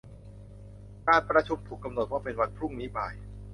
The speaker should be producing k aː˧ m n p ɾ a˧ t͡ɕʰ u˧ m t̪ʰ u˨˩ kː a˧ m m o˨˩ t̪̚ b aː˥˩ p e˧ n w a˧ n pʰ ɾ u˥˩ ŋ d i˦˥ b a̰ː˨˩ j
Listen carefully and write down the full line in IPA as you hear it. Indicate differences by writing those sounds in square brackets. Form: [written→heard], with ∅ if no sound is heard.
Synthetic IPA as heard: k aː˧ [m→∅] n p ɾ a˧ t͡ɕʰ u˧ m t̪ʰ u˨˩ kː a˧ m [m→n] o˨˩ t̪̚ [b→w] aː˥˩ p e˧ n w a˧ n pʰ ɾ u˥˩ ŋ [d→n] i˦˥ b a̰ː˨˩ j